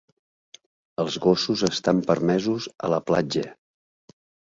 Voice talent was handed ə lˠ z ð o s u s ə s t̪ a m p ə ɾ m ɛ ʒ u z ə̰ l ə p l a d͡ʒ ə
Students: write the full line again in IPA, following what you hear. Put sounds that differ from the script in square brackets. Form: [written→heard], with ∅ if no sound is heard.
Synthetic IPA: ə lˠ z [ð→ɣ] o s u [s→z] ə s t̪ a m p ə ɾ m ɛ [ʒ→z] u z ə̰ l ə p l a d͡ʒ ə